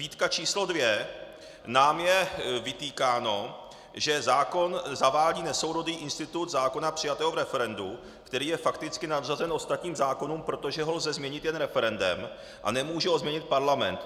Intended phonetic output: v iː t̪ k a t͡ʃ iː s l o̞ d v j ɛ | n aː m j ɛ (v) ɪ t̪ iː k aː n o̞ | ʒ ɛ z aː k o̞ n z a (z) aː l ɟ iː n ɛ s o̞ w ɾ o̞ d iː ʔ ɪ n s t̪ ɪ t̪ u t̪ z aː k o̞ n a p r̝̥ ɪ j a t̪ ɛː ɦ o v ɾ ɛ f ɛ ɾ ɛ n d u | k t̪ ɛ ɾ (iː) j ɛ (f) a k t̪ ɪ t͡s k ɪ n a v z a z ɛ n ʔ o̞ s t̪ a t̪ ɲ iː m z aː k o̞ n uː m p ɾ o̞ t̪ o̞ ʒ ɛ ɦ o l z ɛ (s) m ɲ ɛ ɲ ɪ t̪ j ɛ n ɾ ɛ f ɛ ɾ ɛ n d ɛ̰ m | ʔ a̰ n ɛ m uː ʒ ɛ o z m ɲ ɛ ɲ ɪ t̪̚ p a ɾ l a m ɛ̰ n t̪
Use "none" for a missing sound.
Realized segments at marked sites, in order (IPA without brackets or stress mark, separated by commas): v, v, iː, f, z